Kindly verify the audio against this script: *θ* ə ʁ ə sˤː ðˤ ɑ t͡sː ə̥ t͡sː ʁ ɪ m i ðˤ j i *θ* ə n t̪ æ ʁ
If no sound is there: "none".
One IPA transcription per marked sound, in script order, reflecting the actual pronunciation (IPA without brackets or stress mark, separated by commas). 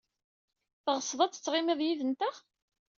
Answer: θ, ð